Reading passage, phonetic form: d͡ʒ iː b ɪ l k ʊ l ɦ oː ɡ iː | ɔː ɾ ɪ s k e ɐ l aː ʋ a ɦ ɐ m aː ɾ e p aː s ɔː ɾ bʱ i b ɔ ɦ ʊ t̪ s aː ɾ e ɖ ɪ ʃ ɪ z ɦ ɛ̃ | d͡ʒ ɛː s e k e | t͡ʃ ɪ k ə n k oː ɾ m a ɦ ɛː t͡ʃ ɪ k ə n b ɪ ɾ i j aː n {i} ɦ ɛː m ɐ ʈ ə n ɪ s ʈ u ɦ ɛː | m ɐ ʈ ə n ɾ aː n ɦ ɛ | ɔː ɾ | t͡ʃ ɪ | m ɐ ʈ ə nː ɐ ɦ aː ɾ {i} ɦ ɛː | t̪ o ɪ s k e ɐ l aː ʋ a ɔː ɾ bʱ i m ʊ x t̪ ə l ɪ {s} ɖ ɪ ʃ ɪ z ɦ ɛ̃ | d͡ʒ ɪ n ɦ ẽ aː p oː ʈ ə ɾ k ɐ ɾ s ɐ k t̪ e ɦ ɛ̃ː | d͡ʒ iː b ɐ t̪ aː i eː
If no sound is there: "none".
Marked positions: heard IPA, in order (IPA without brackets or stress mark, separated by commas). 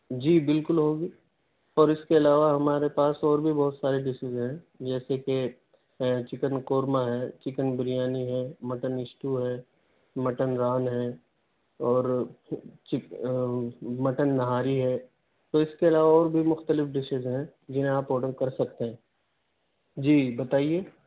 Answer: i, i, f